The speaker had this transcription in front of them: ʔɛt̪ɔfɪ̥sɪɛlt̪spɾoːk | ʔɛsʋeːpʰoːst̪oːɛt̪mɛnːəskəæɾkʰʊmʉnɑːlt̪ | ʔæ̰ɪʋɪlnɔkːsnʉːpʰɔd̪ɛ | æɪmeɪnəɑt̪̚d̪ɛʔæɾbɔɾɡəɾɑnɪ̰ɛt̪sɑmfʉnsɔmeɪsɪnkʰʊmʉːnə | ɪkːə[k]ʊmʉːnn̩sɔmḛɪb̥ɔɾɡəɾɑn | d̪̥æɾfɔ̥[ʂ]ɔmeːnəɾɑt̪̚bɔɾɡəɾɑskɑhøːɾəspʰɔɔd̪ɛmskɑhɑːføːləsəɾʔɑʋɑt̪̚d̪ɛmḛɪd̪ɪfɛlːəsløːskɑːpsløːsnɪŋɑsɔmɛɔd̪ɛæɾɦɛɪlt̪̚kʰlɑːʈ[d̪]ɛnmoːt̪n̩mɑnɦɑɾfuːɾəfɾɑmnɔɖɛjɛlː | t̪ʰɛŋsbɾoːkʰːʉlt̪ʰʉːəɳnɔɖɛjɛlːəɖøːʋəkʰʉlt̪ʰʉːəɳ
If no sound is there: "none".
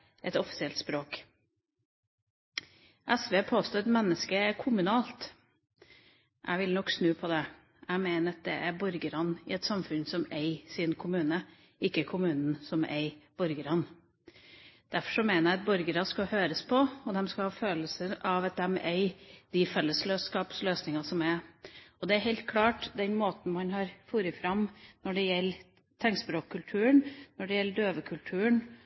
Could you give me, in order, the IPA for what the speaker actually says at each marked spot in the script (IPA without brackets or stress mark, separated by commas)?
kʰ, ʂ, d̪